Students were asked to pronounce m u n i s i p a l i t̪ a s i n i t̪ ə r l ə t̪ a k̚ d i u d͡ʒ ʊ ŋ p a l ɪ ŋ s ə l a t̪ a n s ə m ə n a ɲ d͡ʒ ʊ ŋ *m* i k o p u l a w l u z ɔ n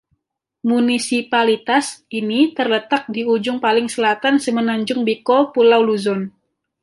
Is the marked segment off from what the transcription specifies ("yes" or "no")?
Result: yes